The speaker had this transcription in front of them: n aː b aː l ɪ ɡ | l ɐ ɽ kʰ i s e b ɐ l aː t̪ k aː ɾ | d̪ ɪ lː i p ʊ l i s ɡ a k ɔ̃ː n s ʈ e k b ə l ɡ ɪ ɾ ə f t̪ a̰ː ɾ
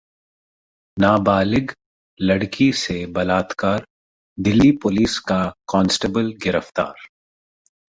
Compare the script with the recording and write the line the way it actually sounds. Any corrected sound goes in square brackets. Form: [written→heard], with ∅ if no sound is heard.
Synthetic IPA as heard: n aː b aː l ɪ ɡ | l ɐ ɽ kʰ i s e b ɐ l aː t̪ k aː ɾ | d̪ ɪ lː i p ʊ l [i→iː] s [ɡ→k] a k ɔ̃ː n s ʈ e [k→∅] b ə l ɡ ɪ ɾ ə f t̪ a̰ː ɾ